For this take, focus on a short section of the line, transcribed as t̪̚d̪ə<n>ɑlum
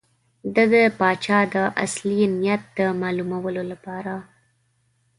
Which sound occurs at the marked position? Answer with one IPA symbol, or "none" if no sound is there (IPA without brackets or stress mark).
m